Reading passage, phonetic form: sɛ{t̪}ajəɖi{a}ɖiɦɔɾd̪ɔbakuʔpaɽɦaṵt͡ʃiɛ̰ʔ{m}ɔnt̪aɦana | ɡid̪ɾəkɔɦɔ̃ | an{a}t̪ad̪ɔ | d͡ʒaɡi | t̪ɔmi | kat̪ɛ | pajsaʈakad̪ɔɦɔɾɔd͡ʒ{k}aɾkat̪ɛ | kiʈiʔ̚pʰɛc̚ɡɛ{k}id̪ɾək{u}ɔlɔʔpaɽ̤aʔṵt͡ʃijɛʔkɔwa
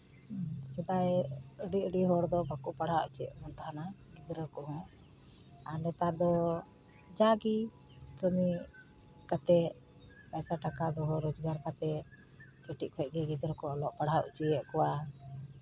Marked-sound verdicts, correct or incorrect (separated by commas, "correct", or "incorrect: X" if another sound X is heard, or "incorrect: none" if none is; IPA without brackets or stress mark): incorrect: d̪, incorrect: ə, correct, incorrect: ɛ, incorrect: ɡ, incorrect: ɡ, incorrect: ɔ